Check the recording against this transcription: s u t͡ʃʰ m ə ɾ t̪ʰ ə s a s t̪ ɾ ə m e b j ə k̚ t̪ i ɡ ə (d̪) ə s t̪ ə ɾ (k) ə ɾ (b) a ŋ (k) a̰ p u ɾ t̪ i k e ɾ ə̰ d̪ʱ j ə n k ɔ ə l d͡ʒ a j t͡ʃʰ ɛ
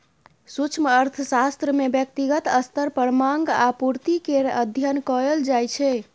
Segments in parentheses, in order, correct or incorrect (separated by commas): incorrect, incorrect, incorrect, incorrect